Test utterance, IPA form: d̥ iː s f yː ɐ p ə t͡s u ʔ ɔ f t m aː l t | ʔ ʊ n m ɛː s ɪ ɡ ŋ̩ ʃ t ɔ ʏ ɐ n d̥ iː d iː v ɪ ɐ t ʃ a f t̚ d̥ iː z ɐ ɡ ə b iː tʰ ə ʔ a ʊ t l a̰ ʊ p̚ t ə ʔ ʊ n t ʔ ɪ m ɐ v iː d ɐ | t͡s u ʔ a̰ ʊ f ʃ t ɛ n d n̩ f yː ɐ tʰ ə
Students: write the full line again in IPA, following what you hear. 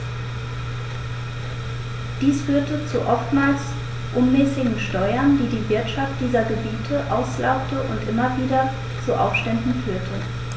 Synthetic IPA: d̥ iː s f yː ɐ t ə t͡s u ʔ ɔ f t m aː l s | ʔ ʊ n m ɛː s ɪ ɡ ŋ̩ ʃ t ɔ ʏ ɐ n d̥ iː d iː v ɪ ɐ t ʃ a f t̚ d̥ iː z ɐ ɡ ə b iː tʰ ə ʔ a ʊ s l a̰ ʊ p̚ t ə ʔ ʊ n t ʔ ɪ m ɐ v iː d ɐ | t͡s u ʔ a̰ ʊ f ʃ t ɛ n d n̩ f yː ɐ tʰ ə

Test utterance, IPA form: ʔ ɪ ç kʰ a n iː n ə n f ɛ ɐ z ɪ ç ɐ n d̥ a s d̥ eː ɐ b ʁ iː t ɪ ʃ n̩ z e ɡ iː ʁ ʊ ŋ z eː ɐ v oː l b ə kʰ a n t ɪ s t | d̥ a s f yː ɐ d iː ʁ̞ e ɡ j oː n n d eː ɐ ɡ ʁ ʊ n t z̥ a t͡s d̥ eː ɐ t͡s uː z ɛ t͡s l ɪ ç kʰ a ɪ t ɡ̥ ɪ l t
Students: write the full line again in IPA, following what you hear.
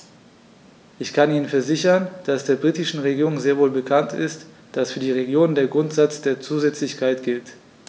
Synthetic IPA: ʔ ɪ ç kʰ a n iː n ə n f ɛ ɐ z ɪ ç ɐ n d̥ a s d̥ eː ɐ b ʁ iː t ɪ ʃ n̩ ʁ e ɡ iː ʁ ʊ ŋ z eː ɐ v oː l b ə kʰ a n t ɪ s t | d̥ a s f yː ɐ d iː ʁ̞ e ɡ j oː n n d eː ɐ ɡ ʁ ʊ n t z̥ a t͡s d̥ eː ɐ t͡s uː z ɛ t͡s l ɪ ç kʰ a ɪ t ɡ̥ ɪ l t

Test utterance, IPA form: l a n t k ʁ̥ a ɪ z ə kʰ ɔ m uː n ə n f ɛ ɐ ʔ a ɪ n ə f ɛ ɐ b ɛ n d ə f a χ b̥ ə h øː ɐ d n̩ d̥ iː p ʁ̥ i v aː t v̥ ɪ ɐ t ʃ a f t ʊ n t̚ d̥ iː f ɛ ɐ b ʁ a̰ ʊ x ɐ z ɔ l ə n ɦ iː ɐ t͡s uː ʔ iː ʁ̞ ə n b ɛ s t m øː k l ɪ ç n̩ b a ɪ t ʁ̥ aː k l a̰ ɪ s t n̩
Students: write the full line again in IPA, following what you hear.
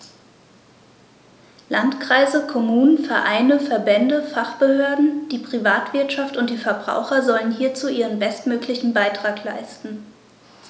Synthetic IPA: l a n t k ʁ̥ a ɪ z ə kʰ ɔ m uː n ə n f ɛ ɐ ʔ a ɪ n ə f ɛ ɐ b ɛ n d ə f a χ b̥ ə h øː ɐ d n̩ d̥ iː p ʁ̥ i v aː t v̥ ɪ ɐ t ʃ a f t ʊ n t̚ d̥ iː f ɛ ɐ b ʁ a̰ ʊ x ɐ z ɔ l ə n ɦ iː ɐ t͡s uː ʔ iː ʁ̞ ə n b ɛ s t m øː k l ɪ ç n̩ b a ɪ t ʁ̥ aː k l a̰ ɪ s t n̩

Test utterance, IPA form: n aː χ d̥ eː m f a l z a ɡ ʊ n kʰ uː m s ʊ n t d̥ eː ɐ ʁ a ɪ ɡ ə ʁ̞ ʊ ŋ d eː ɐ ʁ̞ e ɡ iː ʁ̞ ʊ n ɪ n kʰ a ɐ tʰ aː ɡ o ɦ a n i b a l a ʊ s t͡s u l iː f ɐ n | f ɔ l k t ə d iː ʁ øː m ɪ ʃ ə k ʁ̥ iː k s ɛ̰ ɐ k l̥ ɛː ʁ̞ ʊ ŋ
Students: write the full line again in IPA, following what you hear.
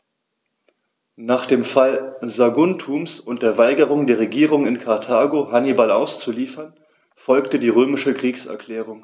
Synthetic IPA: n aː χ d̥ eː m f a l z a ɡ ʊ n tʰ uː m s ʊ n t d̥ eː ɐ v a ɪ ɡ ə ʁ̞ ʊ ŋ d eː ɐ ʁ̞ e ɡ iː ʁ̞ ʊ ŋ ɪ n kʰ a ɐ tʰ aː ɡ o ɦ a n i b a l a ʊ s t͡s u l iː f ɐ n | f ɔ l k t ə d iː ʁ øː m ɪ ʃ ə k ʁ̥ iː k s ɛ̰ ɐ k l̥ ɛː ʁ̞ ʊ ŋ

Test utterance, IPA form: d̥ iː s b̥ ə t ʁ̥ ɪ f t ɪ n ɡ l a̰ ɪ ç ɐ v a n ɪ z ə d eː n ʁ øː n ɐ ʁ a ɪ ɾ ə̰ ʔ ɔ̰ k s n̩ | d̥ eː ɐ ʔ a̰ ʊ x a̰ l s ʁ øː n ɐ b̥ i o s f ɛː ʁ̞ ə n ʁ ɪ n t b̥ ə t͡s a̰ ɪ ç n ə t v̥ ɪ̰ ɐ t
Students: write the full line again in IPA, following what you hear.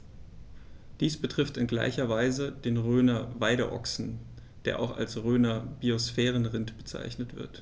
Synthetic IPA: d̥ iː s b̥ ə t ʁ̥ ɪ f t ɪ n ɡ l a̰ ɪ ç ɐ v a ɪ z ə d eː n ʁ øː n ɐ v a ɪ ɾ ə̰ ʔ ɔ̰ k s n̩ | d̥ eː ɐ ʔ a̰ ʊ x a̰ l s ʁ øː n ɐ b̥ i o s f ɛː ʁ̞ ə n ʁ ɪ n t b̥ ə t͡s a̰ ɪ ç n ə t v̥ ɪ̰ ɐ t

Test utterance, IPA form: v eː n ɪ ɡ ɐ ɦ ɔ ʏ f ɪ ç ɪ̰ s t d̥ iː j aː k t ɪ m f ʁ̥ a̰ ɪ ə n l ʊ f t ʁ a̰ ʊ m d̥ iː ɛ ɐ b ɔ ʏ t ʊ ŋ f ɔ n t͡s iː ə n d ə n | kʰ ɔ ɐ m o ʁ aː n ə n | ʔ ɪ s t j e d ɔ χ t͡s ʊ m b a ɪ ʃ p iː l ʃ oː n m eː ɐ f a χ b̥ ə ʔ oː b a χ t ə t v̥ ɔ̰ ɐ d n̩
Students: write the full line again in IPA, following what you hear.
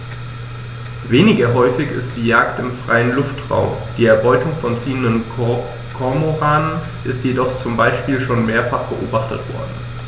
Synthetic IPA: v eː n ɪ ɡ ɐ ɦ ɔ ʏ f ɪ ç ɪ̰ s t d̥ iː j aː k t ɪ m f ʁ̥ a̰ ɪ ə n l ʊ f t ʁ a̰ ʊ m d̥ iː ɛ ɐ b ɔ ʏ t ʊ ŋ f ɔ n t͡s iː ə n d ə n | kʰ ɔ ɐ m o ʁ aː n ə n | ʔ ɪ s t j e d ɔ χ t͡s ʊ m b a ɪ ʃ p iː l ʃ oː n m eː ɐ f a χ b̥ ə ʔ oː b a χ t ə t v̥ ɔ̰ ɐ d n̩

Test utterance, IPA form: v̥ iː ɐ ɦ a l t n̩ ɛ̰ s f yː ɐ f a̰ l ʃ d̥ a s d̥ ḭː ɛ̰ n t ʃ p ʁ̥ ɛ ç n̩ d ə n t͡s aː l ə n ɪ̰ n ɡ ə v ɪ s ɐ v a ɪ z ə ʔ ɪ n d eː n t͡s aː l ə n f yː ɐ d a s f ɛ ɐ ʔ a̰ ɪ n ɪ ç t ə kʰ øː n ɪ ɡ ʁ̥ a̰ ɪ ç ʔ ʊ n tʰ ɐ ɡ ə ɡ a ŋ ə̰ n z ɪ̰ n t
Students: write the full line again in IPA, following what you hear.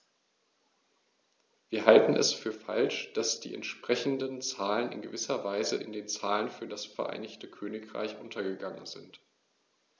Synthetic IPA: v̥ iː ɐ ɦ a l t n̩ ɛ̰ s f yː ɐ f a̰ l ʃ d̥ a s d̥ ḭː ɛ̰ n t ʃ p ʁ̥ ɛ ç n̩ d ə n t͡s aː l ə n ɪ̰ n ɡ ə v ɪ s ɐ v a ɪ z ə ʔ ɪ n d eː n t͡s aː l ə n f yː ɐ d a s f ɛ ɐ ʔ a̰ ɪ n ɪ ç t ə kʰ øː n ɪ k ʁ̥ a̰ ɪ ç ʔ ʊ n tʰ ɐ ɡ ə ɡ a ŋ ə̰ n z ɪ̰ n t

